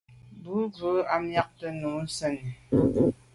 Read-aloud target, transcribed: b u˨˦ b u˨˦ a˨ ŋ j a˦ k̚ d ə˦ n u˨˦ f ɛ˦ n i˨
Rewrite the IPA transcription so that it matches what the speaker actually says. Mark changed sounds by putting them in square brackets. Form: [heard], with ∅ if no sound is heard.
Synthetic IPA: b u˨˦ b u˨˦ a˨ [m] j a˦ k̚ [t] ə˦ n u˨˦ [s] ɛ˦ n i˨